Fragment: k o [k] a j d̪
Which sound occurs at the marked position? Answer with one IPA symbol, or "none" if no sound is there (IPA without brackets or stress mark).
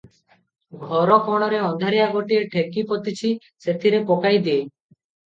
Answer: k